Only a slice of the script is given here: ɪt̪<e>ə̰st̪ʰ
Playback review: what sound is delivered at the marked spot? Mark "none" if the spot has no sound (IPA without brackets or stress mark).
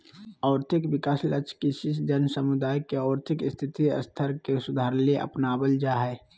i